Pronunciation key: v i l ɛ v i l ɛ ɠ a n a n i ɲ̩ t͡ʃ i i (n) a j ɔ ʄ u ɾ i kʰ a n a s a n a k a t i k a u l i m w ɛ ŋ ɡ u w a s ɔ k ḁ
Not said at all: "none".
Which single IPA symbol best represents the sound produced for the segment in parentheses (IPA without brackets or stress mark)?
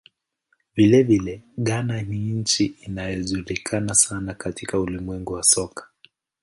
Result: n